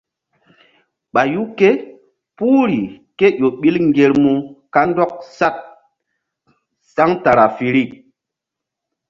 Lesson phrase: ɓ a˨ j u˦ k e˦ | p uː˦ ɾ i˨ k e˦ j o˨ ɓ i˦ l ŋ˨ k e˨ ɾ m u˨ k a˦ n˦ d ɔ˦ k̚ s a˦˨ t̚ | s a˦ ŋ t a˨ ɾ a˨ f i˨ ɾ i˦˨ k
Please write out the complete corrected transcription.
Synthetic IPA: ɓ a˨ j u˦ k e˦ | p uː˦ ɾ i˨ k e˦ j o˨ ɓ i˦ l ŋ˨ ɡ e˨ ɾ m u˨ k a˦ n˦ d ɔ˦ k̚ s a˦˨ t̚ | s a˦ ŋ t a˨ ɾ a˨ f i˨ ɾ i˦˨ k